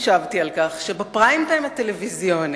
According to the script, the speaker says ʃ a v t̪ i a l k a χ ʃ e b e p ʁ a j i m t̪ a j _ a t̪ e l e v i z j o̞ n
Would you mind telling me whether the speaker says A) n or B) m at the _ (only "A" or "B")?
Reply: B